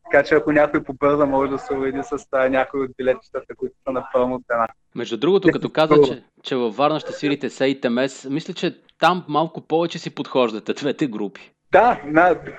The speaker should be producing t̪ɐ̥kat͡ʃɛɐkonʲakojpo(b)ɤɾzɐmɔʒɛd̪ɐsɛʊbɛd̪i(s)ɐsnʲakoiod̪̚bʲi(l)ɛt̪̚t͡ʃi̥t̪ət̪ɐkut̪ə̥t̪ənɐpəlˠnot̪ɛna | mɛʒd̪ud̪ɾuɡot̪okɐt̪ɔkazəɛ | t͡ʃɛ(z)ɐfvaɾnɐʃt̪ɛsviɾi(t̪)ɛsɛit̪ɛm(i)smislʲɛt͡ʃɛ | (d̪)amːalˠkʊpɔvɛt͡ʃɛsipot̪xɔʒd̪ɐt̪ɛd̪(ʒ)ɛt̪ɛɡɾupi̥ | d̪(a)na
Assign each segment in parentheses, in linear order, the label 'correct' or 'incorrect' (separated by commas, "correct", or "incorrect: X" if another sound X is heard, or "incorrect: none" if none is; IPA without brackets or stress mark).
correct, correct, correct, incorrect: v, correct, incorrect: ɛ, incorrect: t̪, incorrect: v, correct